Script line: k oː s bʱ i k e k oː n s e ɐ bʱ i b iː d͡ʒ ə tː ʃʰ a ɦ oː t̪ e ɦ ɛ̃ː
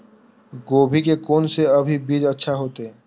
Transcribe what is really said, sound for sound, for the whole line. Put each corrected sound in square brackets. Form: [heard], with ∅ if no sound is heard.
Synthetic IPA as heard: [ɡ] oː [∅] bʱ i k e k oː n s e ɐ bʱ i b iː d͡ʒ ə tː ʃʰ a ɦ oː t̪ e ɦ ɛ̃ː